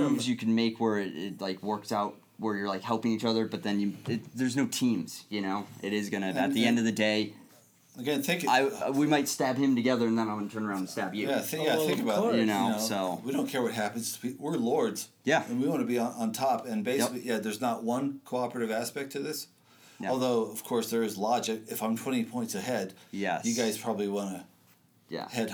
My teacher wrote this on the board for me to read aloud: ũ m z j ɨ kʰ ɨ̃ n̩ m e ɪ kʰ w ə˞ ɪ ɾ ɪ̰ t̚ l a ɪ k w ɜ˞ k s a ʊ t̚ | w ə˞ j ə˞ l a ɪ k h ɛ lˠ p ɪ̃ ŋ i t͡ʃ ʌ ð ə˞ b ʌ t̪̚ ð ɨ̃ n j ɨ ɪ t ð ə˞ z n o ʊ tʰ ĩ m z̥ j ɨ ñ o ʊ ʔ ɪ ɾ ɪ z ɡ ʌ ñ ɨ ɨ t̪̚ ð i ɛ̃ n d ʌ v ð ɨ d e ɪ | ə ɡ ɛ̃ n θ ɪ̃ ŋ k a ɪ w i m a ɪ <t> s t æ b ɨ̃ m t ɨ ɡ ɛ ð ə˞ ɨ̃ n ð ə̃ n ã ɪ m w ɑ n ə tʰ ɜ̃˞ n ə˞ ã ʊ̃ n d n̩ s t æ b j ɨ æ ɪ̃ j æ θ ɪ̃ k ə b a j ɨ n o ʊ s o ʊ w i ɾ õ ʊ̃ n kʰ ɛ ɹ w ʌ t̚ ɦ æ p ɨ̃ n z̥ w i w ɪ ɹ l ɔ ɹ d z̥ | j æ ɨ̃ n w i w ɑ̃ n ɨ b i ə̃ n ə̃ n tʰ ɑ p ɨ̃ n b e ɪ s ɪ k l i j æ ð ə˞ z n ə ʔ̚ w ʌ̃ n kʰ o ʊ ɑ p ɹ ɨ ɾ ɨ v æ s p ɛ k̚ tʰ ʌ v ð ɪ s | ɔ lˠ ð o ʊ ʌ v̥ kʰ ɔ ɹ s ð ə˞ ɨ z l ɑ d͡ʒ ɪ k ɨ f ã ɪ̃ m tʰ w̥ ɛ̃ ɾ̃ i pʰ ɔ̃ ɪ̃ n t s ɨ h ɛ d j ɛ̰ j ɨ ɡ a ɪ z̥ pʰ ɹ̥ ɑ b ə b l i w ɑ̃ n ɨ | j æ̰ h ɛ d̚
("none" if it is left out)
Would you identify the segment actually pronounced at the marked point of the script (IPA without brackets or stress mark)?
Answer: t